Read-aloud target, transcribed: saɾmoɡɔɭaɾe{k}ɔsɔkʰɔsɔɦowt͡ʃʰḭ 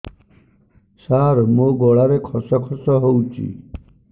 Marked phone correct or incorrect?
incorrect